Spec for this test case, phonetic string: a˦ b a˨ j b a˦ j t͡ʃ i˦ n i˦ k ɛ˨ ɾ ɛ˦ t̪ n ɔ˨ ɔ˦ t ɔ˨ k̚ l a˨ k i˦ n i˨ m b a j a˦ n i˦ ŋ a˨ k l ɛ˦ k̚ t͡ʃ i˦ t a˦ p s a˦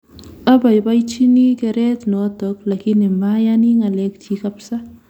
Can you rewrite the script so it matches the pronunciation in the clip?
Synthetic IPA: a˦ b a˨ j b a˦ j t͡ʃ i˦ n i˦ k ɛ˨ ɾ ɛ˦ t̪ n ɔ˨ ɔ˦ t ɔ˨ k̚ l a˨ k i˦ n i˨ m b a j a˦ n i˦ ŋ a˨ l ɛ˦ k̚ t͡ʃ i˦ k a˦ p s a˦